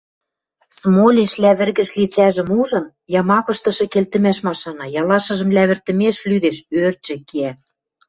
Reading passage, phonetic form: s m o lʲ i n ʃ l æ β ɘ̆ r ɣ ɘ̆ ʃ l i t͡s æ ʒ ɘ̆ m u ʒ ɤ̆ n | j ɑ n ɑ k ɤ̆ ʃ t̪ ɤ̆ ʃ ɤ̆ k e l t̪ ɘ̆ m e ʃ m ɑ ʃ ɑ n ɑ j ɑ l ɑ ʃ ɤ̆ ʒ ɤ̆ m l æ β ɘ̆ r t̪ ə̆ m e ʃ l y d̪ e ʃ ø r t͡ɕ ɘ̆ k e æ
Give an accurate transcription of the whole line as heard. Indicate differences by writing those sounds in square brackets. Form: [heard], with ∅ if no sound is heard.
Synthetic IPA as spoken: s m o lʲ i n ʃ l æ β ɘ̆ r ɣ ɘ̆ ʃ l i t͡s æ ʒ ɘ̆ m u ʒ ɤ̆ n | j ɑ [m] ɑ k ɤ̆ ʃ t̪ ɤ̆ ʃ ɤ̆ k e l t̪ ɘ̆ m [æ] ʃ m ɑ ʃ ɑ n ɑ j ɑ l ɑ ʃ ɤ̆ ʒ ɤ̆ m l æ β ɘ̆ r t̪ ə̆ m e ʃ l y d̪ e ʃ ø r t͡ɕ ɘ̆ k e æ